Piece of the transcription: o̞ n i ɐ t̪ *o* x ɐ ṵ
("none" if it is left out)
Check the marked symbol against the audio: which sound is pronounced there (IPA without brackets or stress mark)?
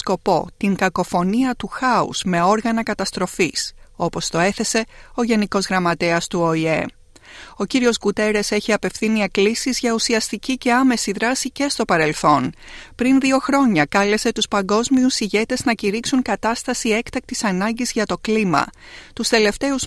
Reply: u